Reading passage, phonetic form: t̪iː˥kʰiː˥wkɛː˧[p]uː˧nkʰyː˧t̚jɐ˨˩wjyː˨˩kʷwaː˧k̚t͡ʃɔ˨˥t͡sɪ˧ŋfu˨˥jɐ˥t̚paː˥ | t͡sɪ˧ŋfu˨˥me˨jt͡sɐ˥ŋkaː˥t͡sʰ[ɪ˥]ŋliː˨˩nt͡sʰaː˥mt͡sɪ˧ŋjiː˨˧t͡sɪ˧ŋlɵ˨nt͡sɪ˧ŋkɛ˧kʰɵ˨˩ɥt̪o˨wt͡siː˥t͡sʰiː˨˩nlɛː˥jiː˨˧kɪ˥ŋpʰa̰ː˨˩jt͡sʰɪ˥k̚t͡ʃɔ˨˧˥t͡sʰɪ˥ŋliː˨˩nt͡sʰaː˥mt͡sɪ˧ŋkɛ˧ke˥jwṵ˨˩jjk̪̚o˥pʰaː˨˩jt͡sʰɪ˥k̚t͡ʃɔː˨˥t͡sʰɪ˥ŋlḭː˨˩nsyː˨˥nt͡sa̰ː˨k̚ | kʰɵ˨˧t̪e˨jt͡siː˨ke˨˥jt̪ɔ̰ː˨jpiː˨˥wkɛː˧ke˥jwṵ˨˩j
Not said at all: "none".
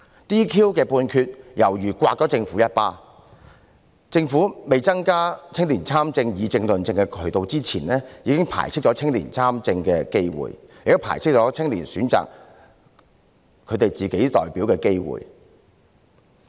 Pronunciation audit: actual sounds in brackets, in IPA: p, ɪ˥

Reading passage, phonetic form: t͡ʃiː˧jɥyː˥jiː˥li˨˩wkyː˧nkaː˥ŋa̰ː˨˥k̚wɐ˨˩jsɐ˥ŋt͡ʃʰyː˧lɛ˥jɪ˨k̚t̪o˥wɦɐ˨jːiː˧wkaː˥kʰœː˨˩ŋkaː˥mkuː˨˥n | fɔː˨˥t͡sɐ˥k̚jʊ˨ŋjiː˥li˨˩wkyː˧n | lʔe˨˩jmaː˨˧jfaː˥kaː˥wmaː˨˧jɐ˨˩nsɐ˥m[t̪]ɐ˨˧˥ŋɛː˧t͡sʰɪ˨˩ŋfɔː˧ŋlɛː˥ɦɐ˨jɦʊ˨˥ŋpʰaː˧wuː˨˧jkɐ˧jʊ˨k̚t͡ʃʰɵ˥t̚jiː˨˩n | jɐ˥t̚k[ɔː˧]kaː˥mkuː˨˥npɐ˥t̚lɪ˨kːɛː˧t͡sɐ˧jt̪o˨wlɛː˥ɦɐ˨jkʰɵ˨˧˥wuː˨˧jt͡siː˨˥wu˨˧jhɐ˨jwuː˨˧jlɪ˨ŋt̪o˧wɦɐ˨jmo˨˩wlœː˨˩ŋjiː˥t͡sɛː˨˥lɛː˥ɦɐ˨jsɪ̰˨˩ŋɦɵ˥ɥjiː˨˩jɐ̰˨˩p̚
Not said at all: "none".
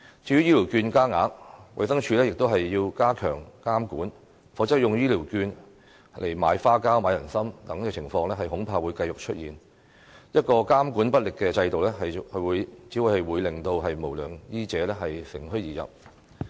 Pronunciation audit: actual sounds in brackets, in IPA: t̪, ɔː˧

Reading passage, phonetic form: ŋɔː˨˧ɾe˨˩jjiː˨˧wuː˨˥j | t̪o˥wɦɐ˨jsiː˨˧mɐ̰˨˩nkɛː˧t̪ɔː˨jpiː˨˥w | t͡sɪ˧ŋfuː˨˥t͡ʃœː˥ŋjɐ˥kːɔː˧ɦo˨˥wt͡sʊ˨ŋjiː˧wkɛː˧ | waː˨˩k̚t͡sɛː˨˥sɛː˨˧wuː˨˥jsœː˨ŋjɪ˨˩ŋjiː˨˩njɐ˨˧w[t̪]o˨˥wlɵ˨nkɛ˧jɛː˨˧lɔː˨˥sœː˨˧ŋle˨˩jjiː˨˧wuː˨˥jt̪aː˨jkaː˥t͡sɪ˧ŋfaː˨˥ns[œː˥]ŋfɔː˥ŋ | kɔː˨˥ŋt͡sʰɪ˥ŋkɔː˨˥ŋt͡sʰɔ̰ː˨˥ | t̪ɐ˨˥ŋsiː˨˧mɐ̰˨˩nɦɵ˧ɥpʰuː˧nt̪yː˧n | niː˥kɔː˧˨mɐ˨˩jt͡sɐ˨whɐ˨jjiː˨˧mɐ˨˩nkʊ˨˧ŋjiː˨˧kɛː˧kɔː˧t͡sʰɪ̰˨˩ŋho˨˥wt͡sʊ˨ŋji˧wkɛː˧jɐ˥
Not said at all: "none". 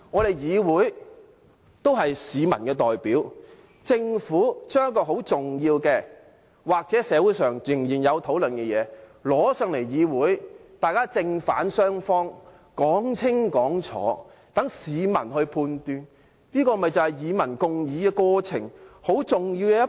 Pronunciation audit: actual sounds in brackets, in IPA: t̪ʰ, œː˥

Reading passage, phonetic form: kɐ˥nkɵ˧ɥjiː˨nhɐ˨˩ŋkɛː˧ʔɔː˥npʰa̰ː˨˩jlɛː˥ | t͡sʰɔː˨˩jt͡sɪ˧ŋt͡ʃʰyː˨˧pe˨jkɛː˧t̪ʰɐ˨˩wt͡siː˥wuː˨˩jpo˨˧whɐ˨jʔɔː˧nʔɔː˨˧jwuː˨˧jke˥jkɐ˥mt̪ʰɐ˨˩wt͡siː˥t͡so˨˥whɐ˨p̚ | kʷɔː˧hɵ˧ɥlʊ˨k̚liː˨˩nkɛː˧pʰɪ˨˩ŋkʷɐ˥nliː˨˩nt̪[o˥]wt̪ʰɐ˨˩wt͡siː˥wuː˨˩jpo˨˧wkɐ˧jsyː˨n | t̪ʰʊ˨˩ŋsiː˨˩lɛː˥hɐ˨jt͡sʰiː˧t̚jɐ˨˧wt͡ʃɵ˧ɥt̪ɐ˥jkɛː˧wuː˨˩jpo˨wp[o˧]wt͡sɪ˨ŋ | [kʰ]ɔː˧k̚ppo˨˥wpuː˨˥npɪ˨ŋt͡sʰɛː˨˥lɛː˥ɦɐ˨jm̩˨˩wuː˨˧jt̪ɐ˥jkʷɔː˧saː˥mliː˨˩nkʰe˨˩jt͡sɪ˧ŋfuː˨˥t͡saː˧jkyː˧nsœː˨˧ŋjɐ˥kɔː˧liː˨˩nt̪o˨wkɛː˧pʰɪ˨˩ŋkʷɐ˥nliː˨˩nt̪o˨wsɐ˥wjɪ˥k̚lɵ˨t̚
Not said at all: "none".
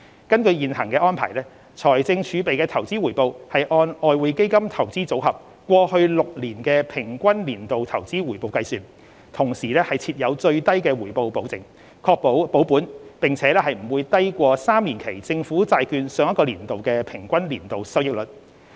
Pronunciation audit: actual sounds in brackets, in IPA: o˨, o˨˥, kʰ

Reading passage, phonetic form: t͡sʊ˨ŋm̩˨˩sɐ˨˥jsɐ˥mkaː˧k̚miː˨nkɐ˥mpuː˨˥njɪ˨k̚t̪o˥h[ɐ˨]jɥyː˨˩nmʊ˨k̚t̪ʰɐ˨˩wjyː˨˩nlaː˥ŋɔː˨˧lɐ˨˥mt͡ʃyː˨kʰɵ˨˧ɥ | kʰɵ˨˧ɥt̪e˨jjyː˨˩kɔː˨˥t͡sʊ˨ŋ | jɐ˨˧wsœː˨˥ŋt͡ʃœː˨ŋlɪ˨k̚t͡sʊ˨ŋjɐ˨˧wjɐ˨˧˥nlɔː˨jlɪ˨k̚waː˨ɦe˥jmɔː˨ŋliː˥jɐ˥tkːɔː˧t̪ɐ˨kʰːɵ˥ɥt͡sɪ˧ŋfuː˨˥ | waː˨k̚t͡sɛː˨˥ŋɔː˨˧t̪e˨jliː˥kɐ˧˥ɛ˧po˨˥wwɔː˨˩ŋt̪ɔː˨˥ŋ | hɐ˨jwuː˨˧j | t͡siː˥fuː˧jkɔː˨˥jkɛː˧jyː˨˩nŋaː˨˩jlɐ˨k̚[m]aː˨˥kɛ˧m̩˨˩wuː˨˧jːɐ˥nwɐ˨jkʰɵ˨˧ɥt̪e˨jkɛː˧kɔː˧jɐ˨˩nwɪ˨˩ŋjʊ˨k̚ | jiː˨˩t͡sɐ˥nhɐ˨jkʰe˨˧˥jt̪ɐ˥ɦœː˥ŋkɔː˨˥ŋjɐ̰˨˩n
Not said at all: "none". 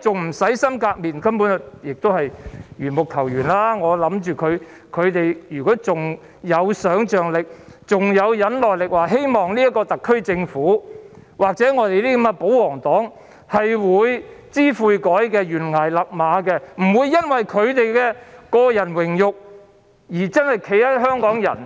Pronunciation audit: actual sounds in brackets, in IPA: ɐ˨, m

